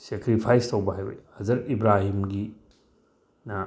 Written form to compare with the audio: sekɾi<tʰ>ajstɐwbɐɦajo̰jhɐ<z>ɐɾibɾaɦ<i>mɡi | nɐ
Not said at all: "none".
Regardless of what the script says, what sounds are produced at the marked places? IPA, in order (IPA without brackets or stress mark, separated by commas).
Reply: pʰ, z, i